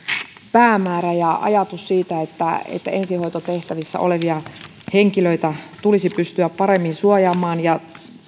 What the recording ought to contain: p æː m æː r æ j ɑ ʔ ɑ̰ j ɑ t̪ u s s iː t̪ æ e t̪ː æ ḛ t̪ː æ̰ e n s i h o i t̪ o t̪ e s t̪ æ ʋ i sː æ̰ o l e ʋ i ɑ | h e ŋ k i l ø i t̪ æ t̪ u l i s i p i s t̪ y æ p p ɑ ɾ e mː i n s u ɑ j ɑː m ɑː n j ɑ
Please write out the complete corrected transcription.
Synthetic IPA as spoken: p æː m æː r æ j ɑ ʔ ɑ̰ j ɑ t̪ u s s iː t̪ æ e t̪ː æ ḛ t̪ː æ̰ e n s i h o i t̪ o t̪ e h t̪ æ ʋ i sː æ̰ o l e ʋ i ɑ | h e ŋ k i l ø i t̪ æ t̪ u l i s i p y s t̪ y æ p p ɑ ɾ e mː i n s u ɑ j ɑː m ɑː n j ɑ